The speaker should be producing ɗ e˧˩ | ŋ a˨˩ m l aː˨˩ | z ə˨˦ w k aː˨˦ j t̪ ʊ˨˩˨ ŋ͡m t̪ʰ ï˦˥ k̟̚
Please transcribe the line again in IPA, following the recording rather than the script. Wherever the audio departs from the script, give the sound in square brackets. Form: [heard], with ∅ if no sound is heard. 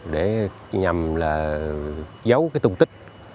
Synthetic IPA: ɗ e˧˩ | [ɲ] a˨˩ m l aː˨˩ | z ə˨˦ w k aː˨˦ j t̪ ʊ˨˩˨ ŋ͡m [t̪] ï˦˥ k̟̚